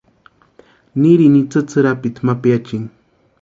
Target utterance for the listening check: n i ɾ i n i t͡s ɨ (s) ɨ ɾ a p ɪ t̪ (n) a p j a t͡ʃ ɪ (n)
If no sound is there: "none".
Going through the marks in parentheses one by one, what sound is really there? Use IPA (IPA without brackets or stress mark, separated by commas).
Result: t͡s, m, ŋ